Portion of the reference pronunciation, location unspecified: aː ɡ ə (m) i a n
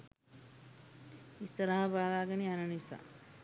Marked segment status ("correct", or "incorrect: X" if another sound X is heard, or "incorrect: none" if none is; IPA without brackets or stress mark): incorrect: n